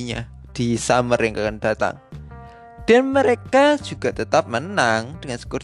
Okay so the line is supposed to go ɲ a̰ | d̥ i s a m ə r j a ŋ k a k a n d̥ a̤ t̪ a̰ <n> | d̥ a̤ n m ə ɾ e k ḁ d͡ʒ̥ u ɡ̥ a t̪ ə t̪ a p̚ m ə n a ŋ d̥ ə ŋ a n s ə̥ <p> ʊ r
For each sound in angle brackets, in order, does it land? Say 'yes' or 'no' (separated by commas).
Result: no, no